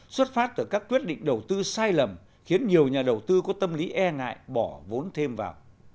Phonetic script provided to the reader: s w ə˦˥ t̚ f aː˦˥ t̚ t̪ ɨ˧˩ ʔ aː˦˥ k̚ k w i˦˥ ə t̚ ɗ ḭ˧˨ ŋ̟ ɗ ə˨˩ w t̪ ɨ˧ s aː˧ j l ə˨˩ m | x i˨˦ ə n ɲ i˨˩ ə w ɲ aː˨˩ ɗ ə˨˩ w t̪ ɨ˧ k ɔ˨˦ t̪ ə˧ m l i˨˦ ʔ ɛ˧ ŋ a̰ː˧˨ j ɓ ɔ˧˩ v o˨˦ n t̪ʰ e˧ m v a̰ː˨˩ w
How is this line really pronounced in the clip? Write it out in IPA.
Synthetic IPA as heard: s w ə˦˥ t̚ f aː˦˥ t̚ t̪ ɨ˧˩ k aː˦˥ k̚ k w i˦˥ ə t̚ ɗ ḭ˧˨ ŋ̟ ɗ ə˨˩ w t̪ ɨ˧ s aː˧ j l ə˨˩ m | x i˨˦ ə n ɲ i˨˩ ə w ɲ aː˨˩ ɗ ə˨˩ w t̪ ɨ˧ k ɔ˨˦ t̪ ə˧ m l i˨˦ ʔ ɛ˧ ŋ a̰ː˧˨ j ɓ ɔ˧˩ v o˨˦ n t̪ʰ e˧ m v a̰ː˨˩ w